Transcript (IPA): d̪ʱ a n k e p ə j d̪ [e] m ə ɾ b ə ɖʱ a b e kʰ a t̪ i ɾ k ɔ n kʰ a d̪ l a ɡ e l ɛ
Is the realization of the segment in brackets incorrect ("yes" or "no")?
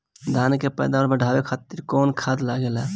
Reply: yes